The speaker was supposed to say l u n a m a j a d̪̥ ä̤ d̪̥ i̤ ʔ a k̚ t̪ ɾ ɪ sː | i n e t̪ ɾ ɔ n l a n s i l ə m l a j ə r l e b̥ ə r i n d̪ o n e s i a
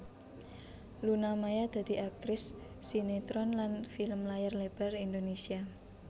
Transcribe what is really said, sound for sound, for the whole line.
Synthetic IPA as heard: l u n a m a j a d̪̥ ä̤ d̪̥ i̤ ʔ a k̚ t̪ ɾ ɪ sː | i n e t̪ ɾ ɔ n l a n f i l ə m l a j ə r l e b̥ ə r i n d̪ o n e s i a